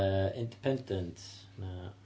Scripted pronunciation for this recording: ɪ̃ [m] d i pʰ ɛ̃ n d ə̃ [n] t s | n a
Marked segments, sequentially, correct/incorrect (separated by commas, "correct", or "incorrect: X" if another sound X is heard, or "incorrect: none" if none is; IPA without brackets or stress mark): incorrect: n, correct